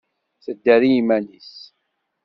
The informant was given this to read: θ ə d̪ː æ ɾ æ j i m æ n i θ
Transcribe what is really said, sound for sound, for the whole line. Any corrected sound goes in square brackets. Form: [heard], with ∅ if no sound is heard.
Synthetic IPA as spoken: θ ə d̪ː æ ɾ [i] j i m æ n i [s]

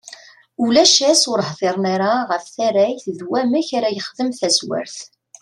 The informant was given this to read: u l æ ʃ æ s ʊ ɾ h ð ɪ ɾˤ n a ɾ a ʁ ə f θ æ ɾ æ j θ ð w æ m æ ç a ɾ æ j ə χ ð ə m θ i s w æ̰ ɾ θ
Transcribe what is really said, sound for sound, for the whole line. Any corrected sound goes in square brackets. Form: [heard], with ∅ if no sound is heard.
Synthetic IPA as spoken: u l æ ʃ æ s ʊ ɾ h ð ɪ ɾˤ n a ɾ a ʁ ə f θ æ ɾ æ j θ ð w æ m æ ç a ɾ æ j ə χ ð ə m θ [æ] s w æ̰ ɾ θ

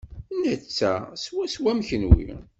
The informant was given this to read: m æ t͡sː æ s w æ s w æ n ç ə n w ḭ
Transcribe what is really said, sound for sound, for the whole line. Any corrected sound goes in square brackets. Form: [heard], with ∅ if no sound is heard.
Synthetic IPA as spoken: [n] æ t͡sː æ s w æ s w æ [m] ç ə n w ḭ

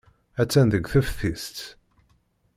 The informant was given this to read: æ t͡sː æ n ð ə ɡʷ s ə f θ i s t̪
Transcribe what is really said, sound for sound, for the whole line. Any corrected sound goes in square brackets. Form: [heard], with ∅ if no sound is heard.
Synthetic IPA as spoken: æ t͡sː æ n ð ə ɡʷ [θ] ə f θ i s t̪

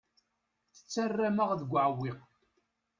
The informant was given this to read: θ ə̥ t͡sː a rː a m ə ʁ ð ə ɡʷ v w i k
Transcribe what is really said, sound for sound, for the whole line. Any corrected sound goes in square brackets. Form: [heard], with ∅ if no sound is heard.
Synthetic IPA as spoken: θ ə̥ t͡sː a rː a m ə ʁ ð ə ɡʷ [ʕ] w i [q]

